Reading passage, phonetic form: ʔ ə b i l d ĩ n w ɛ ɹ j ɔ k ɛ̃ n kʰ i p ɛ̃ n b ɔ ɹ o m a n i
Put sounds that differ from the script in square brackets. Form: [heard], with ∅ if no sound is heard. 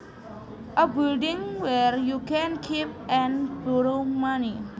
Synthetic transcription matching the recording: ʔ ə b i l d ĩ [ŋ] w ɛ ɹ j [u] k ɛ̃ n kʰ i p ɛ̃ n b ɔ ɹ o m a n i